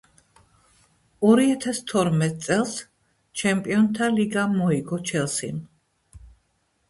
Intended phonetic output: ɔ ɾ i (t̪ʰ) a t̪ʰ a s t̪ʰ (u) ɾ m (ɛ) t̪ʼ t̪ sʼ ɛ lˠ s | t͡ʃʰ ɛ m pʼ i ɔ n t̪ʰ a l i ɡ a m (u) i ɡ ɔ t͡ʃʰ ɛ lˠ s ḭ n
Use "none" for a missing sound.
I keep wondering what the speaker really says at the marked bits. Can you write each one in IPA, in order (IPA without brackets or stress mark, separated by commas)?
none, ɔ, ɛ, ɔ